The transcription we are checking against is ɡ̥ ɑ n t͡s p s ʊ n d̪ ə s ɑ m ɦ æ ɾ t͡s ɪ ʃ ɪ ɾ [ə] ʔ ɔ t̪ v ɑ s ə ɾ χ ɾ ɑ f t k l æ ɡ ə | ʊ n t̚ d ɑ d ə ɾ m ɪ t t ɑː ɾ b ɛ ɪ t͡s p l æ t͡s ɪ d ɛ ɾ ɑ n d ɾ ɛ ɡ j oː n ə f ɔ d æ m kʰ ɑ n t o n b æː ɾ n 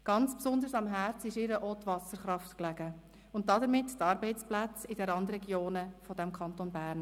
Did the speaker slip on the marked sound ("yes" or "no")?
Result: no